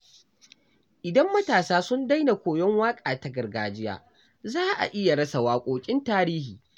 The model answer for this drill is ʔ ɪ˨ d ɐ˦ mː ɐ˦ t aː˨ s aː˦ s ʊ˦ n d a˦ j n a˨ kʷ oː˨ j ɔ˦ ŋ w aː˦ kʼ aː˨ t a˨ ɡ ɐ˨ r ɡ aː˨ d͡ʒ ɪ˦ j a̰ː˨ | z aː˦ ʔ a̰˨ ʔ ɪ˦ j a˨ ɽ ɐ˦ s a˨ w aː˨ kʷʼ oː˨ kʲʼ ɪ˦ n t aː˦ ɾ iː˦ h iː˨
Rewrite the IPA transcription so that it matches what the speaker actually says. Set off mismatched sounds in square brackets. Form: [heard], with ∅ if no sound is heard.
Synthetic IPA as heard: ʔ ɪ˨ d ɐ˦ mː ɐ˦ t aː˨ s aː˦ s ʊ˦ n d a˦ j n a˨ kʷ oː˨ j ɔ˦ ŋ w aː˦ kʼ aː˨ t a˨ ɡ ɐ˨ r ɡ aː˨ d͡ʒ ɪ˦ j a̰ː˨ | z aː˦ ʔ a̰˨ ʔ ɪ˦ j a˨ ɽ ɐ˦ s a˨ w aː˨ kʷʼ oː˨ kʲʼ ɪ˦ n t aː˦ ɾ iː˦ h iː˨

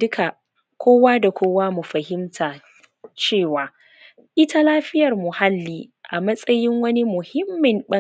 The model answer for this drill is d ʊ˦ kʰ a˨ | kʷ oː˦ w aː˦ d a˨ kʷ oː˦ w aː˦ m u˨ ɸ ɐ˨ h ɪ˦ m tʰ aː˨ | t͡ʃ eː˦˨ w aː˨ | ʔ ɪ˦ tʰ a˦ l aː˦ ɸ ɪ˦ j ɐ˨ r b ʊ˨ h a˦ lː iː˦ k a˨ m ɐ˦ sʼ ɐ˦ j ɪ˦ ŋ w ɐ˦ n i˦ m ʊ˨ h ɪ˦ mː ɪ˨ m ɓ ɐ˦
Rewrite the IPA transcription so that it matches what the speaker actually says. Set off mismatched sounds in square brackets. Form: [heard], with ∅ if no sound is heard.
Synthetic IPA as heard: d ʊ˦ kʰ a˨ | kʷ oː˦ w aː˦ d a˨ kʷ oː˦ w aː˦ m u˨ ɸ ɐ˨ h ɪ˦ m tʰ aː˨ | t͡ʃ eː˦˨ w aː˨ | ʔ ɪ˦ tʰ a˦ l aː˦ ɸ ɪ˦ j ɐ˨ r [m] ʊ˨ h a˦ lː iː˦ [ʔ] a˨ m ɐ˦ sʼ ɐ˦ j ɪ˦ ŋ w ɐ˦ n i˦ m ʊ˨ h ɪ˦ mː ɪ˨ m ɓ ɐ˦

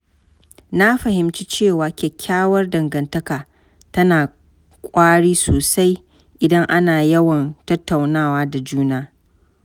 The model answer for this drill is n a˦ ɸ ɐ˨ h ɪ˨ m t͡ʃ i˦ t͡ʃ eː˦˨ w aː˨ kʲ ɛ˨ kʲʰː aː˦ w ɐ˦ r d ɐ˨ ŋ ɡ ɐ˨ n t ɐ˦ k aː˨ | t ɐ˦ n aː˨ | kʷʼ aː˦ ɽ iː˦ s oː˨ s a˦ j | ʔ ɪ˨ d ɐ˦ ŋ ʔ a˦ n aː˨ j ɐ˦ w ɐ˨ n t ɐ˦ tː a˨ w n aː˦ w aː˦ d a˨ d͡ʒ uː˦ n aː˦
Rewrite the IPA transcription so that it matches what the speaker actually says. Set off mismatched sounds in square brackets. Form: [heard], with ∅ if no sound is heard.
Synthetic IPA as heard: n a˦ ɸ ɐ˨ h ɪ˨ m t͡ʃ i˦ t͡ʃ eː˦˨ w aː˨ kʲ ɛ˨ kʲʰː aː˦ w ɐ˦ r d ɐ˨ ŋ ɡ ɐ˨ n t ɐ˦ k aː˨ | t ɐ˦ n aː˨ | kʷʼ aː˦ ɽ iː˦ s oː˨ s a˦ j | ʔ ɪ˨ d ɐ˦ ŋ ʔ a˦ n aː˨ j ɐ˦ w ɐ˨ n t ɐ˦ tː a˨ w n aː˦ w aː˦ d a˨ d͡ʒ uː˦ n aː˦

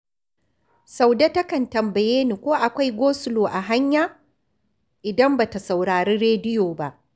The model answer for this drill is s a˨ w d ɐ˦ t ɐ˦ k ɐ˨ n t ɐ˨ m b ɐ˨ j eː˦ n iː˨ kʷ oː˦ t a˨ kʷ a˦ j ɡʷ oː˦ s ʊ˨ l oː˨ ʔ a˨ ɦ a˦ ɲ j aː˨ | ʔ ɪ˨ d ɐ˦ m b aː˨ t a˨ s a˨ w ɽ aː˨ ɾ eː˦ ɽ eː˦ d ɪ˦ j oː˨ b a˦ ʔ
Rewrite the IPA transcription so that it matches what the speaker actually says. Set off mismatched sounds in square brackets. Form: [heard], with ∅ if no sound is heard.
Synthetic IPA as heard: s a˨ w d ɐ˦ t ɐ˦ k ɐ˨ n t ɐ˨ m b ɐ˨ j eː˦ n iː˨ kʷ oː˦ [ʔ] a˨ kʷ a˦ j ɡʷ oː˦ s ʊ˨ l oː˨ ʔ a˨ ɦ a˦ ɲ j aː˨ | ʔ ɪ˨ d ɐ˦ m b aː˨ t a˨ s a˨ w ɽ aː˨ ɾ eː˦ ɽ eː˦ d ɪ˦ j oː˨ b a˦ ʔ

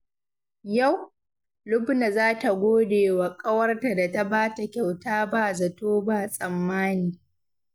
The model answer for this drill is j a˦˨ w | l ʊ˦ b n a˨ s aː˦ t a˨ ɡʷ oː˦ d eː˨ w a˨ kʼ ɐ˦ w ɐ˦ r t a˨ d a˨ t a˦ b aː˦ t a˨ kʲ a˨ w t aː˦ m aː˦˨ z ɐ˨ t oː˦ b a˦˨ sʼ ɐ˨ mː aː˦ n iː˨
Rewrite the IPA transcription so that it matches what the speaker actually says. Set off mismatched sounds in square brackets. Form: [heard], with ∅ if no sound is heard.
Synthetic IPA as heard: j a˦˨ w | l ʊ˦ b n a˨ [z] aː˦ t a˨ ɡʷ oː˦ d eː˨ w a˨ kʼ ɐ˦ w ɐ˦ r t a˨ d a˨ t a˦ b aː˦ t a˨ kʲ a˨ w t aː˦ [b] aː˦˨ z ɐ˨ t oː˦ b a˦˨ sʼ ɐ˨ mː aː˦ n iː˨

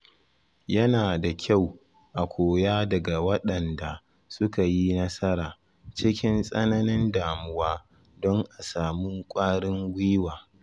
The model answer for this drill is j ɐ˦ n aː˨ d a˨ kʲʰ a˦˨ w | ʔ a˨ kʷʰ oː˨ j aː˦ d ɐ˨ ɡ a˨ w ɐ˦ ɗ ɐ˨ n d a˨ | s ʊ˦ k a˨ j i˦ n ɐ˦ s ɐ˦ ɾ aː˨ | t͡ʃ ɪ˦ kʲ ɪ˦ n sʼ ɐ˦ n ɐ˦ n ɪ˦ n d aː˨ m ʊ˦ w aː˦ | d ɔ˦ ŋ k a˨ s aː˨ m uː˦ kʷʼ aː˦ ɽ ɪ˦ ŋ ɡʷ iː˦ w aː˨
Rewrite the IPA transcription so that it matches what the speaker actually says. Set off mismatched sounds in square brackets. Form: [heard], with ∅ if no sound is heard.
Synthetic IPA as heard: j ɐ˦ n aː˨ d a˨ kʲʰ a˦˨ w | ʔ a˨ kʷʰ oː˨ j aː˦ d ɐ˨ ɡ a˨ w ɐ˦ ɗ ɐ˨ n d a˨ | s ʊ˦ k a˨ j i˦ n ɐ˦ s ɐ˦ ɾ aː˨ | t͡ʃ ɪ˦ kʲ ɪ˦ n sʼ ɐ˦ n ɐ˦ n ɪ˦ n d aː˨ m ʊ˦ w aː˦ | d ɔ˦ ŋ [ʔ] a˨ s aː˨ m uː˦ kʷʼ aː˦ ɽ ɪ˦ ŋ ɡʷ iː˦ w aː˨

